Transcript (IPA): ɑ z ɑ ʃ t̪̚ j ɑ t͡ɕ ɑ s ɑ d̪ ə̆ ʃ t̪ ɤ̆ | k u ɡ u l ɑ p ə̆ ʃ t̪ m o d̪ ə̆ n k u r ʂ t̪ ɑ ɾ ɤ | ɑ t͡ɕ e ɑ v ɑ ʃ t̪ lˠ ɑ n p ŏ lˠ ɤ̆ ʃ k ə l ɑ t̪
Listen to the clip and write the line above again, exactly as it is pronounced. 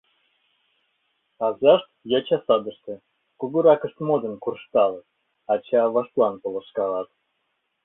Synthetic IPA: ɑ z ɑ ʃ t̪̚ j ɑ t͡ɕ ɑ s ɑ d̪ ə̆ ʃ t̪ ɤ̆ | k u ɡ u ɾ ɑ k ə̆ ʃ t̪ m o d̪ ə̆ n k u r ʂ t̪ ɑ l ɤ | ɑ t͡ɕ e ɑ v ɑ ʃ t̪ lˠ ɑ n p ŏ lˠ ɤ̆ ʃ k ɑ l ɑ t̪